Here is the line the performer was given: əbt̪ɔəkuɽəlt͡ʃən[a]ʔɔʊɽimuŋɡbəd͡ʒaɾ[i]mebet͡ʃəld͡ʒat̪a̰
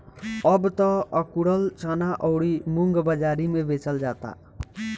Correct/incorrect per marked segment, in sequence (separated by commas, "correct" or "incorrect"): correct, correct